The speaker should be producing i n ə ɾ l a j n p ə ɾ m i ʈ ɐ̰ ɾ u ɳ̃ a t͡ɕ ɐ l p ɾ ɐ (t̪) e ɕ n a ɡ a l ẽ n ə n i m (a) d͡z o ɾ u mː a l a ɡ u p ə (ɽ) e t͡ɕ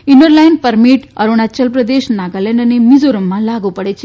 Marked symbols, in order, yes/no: no, no, yes

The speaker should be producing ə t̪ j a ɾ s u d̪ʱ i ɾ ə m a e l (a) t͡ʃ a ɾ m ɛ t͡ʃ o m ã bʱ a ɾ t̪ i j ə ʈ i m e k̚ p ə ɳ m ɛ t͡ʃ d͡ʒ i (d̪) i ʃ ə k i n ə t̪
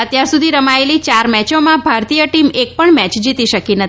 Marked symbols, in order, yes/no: no, no

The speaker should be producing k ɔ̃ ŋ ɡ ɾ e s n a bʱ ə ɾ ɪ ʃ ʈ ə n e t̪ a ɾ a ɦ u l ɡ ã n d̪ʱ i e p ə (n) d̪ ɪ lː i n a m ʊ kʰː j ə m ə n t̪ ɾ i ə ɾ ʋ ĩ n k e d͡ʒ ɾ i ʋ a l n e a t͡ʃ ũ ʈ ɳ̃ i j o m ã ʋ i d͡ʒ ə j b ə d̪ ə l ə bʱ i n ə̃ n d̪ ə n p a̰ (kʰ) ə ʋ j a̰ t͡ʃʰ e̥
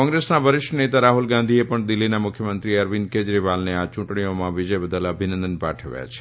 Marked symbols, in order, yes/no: no, no

